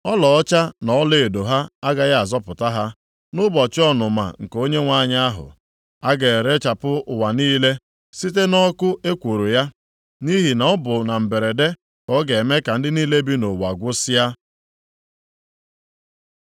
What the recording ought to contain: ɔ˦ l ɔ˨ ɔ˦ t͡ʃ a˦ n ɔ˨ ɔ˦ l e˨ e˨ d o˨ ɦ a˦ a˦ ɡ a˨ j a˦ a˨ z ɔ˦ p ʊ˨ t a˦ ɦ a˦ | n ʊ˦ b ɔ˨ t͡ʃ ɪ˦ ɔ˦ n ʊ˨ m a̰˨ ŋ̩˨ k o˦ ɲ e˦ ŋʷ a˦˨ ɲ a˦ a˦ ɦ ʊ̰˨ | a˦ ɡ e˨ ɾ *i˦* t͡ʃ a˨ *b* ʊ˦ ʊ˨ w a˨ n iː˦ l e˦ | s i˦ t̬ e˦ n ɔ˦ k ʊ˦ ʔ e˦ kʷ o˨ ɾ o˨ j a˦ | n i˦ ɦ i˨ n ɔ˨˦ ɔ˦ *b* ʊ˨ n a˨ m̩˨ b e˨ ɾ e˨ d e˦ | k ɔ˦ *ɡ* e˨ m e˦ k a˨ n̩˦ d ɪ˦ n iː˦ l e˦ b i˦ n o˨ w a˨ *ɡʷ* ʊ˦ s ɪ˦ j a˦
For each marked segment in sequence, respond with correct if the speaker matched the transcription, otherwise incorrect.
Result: incorrect, incorrect, correct, correct, correct

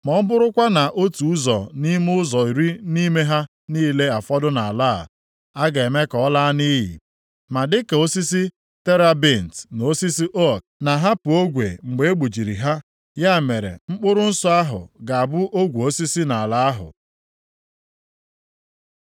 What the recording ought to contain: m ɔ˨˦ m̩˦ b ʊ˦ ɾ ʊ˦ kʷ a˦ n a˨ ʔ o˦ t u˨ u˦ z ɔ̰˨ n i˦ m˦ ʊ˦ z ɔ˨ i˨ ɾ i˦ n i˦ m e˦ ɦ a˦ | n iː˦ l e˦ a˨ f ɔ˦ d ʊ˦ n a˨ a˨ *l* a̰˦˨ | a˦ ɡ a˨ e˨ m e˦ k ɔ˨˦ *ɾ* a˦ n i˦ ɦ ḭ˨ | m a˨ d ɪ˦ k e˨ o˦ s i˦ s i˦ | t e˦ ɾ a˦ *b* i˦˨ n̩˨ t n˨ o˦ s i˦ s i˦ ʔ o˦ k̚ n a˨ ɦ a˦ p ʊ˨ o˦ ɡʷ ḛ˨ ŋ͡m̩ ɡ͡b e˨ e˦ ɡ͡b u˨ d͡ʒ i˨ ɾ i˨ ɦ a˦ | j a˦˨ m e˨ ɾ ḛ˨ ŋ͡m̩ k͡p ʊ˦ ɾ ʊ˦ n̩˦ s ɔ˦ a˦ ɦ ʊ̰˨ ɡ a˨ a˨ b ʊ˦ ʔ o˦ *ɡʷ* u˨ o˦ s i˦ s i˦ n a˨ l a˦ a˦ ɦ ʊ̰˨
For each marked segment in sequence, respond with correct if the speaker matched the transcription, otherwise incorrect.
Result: correct, incorrect, correct, correct

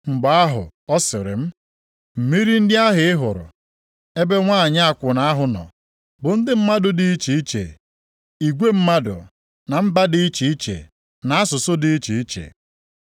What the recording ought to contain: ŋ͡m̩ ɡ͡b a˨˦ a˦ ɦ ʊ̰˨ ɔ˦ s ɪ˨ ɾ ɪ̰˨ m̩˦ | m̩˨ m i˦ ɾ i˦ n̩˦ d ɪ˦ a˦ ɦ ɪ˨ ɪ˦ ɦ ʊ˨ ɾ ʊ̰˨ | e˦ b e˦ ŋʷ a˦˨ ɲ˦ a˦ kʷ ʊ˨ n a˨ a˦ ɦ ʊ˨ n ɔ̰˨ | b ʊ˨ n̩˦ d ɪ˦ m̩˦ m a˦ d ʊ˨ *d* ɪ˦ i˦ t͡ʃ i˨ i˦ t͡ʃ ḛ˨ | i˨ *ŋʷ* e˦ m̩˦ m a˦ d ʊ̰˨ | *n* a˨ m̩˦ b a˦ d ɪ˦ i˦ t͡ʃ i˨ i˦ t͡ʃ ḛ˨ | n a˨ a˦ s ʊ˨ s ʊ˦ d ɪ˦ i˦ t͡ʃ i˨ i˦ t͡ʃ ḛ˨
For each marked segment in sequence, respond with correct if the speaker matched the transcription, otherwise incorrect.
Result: correct, incorrect, correct

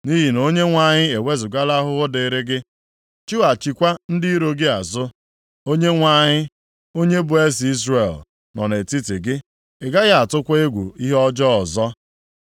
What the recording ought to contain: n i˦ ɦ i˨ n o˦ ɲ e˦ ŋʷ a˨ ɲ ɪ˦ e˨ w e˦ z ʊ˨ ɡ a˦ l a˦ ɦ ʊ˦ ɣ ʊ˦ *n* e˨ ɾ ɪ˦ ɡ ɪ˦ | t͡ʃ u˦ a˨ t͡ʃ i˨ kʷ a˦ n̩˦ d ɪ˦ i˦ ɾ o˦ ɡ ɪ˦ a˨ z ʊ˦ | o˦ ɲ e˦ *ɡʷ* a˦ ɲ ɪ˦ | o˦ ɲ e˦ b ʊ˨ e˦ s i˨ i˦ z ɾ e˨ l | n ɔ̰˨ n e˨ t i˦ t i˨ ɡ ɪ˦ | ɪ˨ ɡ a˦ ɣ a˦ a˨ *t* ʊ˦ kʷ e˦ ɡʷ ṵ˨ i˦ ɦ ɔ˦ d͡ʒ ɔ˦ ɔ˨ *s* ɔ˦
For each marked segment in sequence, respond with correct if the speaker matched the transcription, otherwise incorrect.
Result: incorrect, incorrect, correct, incorrect

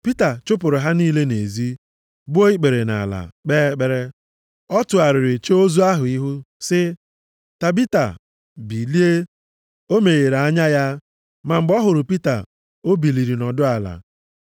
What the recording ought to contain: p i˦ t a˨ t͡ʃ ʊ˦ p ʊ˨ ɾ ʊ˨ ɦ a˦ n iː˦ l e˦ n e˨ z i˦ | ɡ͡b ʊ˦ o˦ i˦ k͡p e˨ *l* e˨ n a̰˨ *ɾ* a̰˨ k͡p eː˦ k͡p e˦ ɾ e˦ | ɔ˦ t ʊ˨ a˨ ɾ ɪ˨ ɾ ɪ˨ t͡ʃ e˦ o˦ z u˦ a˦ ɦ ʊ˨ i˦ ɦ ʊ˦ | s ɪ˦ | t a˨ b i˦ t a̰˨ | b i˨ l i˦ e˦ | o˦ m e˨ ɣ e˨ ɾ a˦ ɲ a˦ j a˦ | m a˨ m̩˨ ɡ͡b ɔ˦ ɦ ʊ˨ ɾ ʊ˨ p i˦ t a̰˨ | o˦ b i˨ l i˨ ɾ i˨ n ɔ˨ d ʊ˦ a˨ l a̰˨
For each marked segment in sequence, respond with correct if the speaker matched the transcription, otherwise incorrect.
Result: incorrect, incorrect

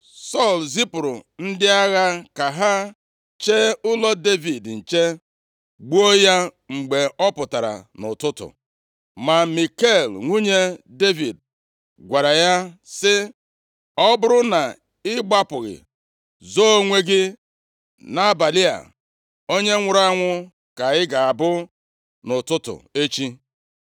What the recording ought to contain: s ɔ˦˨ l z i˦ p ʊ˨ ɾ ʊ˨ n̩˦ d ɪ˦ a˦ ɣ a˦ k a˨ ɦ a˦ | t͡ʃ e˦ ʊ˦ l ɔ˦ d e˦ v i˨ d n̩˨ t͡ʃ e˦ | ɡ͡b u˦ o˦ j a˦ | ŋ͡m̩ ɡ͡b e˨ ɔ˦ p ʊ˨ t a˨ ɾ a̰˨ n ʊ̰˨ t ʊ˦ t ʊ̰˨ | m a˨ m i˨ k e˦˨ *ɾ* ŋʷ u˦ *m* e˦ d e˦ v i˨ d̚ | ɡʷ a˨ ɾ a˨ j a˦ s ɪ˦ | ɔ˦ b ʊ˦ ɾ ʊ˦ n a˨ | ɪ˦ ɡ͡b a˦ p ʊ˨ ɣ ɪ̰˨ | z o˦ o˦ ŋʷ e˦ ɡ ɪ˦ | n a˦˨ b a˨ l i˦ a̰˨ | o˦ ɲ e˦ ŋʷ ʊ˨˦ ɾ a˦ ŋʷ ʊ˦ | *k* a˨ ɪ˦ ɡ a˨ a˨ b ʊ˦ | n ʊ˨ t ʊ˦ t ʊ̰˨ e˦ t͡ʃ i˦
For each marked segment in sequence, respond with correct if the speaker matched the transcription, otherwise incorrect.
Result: incorrect, incorrect, correct

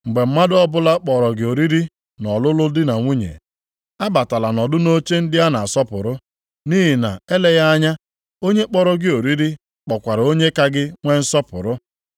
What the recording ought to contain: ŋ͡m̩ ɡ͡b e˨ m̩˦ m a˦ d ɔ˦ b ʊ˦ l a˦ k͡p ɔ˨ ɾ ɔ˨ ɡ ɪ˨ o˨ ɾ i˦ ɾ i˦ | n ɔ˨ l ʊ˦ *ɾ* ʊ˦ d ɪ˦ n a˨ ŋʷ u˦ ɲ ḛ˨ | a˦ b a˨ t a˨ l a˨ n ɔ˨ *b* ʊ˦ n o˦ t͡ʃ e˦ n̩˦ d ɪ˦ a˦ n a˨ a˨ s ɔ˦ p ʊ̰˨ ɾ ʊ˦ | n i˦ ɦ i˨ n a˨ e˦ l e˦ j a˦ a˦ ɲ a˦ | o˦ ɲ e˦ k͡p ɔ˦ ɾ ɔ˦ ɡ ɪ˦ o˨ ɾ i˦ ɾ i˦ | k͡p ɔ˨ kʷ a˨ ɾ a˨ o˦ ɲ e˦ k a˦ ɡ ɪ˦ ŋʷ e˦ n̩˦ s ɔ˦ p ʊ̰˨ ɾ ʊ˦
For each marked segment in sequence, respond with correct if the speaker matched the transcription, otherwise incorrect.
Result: incorrect, incorrect

